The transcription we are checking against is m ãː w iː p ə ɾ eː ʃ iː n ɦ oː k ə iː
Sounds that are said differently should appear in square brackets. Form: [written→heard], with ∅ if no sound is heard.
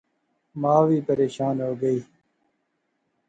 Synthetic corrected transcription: m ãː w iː p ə ɾ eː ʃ [iː→aː] n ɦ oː [k→ɡ] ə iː